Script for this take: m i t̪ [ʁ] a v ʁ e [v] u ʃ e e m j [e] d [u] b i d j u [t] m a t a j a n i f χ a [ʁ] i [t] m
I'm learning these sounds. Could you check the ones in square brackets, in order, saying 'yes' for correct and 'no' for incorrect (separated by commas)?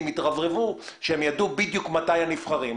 yes, yes, no, yes, no, yes, no